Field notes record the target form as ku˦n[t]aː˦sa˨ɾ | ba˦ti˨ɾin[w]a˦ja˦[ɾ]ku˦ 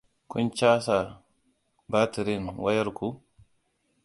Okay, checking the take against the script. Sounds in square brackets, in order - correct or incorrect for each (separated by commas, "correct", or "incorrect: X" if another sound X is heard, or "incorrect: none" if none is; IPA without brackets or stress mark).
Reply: incorrect: t͡ʃ, correct, correct